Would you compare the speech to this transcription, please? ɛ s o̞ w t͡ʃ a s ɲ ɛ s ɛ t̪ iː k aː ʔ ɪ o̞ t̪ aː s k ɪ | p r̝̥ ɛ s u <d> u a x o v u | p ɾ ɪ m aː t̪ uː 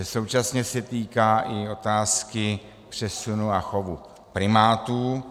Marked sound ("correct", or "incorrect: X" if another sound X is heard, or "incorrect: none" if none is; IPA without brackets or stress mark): incorrect: n